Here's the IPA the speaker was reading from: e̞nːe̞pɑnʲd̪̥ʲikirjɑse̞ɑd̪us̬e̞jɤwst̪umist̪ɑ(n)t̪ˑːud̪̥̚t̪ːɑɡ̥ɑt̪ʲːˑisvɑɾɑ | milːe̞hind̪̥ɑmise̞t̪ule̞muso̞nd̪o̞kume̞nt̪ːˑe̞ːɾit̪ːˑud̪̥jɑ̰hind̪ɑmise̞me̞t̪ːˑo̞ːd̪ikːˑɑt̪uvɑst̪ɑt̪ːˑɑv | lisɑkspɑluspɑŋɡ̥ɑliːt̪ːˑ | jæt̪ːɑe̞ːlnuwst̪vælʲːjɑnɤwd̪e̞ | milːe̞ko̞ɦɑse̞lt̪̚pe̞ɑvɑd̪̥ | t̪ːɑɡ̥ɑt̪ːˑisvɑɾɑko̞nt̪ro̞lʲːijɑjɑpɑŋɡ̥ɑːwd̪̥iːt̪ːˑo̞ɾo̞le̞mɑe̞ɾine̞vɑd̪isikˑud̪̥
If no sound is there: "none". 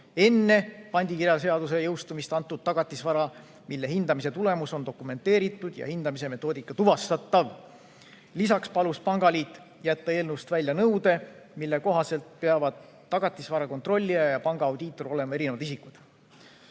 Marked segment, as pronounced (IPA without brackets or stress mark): n